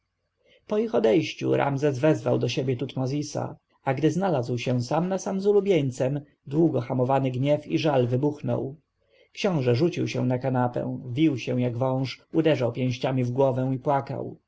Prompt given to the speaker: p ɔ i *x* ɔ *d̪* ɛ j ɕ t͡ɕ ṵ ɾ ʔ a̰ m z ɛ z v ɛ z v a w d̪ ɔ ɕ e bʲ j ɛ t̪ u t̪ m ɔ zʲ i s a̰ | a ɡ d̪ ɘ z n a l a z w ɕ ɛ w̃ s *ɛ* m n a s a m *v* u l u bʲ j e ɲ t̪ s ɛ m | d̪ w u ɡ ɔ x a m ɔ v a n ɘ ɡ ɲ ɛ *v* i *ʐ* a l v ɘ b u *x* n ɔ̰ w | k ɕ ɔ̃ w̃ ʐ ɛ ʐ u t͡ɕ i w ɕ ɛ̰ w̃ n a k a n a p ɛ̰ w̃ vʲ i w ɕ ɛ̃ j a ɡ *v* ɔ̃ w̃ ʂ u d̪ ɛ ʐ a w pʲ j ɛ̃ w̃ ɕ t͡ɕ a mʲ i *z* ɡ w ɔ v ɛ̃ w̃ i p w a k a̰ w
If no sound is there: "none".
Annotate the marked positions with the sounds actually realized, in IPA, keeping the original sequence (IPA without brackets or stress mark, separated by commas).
x, d̪, a, z, f, ʐ, x, v, v